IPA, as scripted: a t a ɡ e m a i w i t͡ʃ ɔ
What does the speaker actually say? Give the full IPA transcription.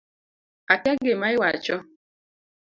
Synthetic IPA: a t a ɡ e m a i w a t͡ʃ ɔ